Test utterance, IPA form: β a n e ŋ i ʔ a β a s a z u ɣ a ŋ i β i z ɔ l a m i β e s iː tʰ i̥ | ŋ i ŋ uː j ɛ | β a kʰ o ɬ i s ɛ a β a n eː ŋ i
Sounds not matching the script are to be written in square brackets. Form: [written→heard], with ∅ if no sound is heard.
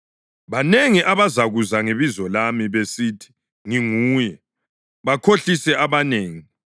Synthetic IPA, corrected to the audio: β a n e ŋ i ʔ a β a [s→z] a [z→ɣ] u [ɣ→z] a ŋ [i→e] β i z ɔ l a m i β e s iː tʰ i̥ | ŋ i ŋ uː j ɛ | β a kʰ o ɬ i s ɛ a β a n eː ŋ i

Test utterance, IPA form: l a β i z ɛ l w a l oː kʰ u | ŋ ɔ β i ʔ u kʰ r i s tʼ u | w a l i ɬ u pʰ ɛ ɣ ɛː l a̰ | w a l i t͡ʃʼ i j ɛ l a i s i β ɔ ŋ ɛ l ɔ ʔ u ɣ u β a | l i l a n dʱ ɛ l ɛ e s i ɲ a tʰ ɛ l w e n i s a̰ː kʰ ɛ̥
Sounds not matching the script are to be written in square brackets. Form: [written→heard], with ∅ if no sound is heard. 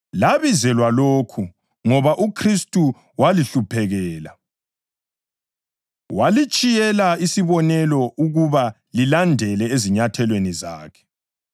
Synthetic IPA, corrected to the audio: l a β i z ɛ l w a l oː kʰ u | ŋ ɔ β [i→a] ʔ u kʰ r i s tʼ u | w a l i ɬ u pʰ ɛ ɣ ɛː l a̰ | w a l i t͡ʃʼ i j ɛ l a i s i β ɔ [ŋ→n] ɛ l ɔ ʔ u ɣ u β a | l i l a n dʱ ɛ l ɛ e [s→z] i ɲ a tʰ ɛ l w e n i [s→z] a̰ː kʰ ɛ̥

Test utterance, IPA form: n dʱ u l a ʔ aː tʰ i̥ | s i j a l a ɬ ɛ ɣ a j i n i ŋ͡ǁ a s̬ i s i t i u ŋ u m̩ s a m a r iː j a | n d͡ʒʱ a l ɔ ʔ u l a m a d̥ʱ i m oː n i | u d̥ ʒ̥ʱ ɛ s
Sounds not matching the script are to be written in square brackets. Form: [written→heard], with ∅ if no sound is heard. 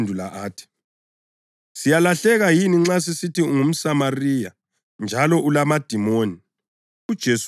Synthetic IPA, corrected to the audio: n dʱ u l a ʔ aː tʰ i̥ | s i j a l a ɬ ɛ ɣ a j i n i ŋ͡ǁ a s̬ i s i t i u ŋ u m̩ s a m a r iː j a | n d͡ʒʱ a l ɔ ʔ u l a m a d̥ʱ i m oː n i | u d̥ ʒ̥ʱ [ɛ→e] s

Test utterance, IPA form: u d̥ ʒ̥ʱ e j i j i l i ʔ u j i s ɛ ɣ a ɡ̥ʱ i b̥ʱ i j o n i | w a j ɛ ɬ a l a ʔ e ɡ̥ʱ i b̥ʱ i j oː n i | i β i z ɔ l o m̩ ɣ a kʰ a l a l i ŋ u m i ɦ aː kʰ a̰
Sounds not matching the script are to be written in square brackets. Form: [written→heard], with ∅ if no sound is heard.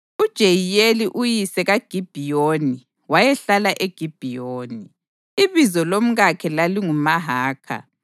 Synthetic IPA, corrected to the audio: u d̥ ʒ̥ʱ e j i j [i→e] l i ʔ u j i s ɛ ɣ a ɡ̥ʱ i b̥ʱ i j o n i | w a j ɛ ɬ a l a ʔ e ɡ̥ʱ i b̥ʱ i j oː n i | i β i z ɔ l o m̩ ɣ a kʰ [a→ɛ] l a l i ŋ u m [i→a] ɦ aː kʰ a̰

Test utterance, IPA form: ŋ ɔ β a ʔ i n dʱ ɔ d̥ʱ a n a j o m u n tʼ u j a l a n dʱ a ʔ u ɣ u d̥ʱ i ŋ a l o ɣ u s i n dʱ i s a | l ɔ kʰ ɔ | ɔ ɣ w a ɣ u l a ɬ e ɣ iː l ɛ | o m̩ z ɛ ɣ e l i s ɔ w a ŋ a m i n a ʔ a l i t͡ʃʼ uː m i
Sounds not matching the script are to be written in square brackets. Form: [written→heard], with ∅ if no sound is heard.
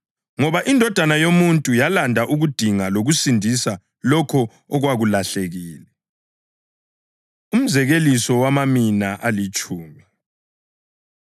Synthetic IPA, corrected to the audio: ŋ ɔ β a ʔ i n dʱ ɔ d̥ʱ a n a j o m u n tʼ u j a l a n dʱ a ʔ u ɣ u d̥ʱ i ŋ a l o ɣ u s i n dʱ i s a | l ɔ kʰ ɔ | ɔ ɣ w a ɣ u l a ɬ e ɣ iː l ɛ | [o→u] m̩ z ɛ ɣ e l i s ɔ w a [ŋ→m] a m i n a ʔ a l i t͡ʃʼ uː m i

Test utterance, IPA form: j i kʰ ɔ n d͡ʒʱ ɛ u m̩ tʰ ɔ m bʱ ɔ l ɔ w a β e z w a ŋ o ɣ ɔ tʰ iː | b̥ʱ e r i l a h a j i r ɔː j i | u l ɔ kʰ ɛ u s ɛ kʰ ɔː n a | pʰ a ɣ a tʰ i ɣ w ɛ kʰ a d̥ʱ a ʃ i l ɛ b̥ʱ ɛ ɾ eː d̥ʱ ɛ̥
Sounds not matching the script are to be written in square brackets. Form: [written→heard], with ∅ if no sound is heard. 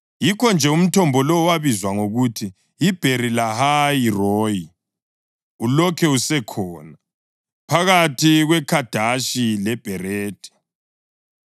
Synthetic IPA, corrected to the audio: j i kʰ ɔ n d͡ʒʱ ɛ u m̩ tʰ ɔ m bʱ ɔ l ɔ w a β [e→i] z w a ŋ o ɣ [ɔ→u] tʰ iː | b̥ʱ e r i l a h a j i r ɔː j i | u l ɔ kʰ ɛ u s ɛ kʰ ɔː n a | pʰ a ɣ a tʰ i ɣ w ɛ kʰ a d̥ʱ a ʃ i l ɛ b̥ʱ ɛ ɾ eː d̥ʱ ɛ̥

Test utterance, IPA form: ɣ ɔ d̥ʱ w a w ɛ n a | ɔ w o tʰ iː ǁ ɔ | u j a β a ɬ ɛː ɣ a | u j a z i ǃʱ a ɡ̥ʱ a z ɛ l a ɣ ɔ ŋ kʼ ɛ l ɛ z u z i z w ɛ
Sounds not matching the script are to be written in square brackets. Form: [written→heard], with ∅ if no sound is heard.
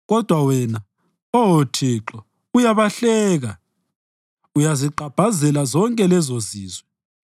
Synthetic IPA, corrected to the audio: ɣ ɔ d̥ʱ w a w ɛ n a | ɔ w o tʰ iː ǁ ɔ | u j a β a ɬ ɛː ɣ a | u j a z i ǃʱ a [ɡ̥ʱ→b̥ʱ] a z ɛ l a [ɣ→z] ɔ ŋ kʼ ɛ l ɛ z [u→o] z [i→iː] z w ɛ

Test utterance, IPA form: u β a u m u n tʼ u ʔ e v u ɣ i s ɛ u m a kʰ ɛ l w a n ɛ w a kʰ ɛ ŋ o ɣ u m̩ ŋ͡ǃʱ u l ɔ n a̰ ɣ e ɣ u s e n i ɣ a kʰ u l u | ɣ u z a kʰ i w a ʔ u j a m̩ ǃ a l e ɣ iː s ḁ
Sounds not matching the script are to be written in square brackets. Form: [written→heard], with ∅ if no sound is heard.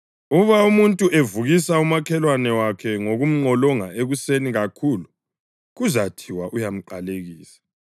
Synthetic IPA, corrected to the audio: u β a u m u n tʼ u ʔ e v u ɣ i s [ɛ→a] u m a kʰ ɛ l w a n ɛ w a kʰ ɛ ŋ o ɣ u m̩ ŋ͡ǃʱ [u→ɔ] l ɔ [n→ŋ] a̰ [ɣ→∅] e ɣ u s e n i ɣ a kʰ u l u | ɣ u z a [kʰ→tʰ] i w a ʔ u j a m̩ ǃ a l e ɣ iː s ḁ

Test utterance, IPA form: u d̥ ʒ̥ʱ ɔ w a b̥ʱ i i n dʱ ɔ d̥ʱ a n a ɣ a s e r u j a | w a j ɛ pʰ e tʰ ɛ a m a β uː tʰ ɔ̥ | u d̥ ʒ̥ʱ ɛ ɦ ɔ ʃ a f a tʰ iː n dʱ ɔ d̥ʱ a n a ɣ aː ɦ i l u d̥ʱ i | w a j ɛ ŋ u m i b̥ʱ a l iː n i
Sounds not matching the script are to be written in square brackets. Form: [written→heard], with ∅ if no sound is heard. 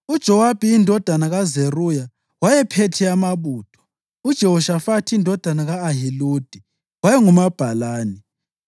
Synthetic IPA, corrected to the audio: u d̥ ʒ̥ʱ ɔ w a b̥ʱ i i n dʱ ɔ d̥ʱ a n a ɣ a [s→z] e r u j a | w a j ɛ pʰ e tʰ ɛ a m a β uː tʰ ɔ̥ | u d̥ ʒ̥ʱ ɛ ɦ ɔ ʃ a f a tʰ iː n dʱ ɔ d̥ʱ a n a ɣ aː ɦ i l u d̥ʱ i | w a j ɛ ŋ u m [i→a] b̥ʱ a l [iː→aː] n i

